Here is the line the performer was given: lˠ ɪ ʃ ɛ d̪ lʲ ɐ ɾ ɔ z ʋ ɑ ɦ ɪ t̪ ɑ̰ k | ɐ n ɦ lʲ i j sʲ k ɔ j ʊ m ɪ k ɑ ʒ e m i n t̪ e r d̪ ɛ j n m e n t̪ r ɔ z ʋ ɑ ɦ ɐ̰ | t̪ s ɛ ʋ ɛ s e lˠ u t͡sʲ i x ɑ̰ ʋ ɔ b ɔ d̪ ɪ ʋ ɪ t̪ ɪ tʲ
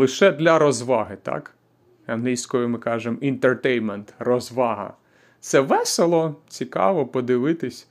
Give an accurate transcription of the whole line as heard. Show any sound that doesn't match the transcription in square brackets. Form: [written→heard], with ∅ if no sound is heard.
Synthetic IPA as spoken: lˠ ɪ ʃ ɛ d̪ lʲ ɐ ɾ ɔ z ʋ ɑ ɦ ɪ t̪ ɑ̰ k | ɐ n ɦ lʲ i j sʲ k ɔ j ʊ m ɪ k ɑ ʒ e m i n t̪ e r [d̪→t̪] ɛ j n m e n t̪ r ɔ z ʋ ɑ ɦ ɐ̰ | t̪ s ɛ ʋ ɛ s e lˠ [u→ɔ] t͡sʲ i [x→k] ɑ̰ ʋ ɔ [b→p] ɔ d̪ ɪ ʋ ɪ t̪ ɪ [tʲ→sʲ]